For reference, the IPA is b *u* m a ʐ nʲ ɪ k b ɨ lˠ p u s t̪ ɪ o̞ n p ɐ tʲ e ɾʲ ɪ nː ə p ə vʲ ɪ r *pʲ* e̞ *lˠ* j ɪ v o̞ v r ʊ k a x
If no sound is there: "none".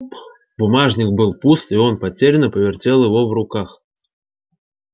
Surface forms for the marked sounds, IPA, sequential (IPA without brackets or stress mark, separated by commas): ʊ, tʲ, lˠ